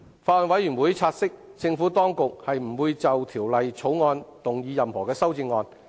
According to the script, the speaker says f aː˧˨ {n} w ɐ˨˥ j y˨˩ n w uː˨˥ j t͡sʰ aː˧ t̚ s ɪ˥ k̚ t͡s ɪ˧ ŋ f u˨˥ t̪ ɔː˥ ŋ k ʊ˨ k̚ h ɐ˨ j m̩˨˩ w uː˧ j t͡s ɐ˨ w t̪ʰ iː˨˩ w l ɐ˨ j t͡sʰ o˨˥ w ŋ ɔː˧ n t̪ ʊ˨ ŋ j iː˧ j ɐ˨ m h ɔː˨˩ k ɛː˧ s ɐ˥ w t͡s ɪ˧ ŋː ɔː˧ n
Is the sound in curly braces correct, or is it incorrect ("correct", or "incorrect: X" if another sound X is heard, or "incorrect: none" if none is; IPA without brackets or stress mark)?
correct